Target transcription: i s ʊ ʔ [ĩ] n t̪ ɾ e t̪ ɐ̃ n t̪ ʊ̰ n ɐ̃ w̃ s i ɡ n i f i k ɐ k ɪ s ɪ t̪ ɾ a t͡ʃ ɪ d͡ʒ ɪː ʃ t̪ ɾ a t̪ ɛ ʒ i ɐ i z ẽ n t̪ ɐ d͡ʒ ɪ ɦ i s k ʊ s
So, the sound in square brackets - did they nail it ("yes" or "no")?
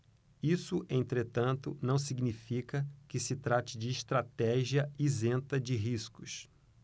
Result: no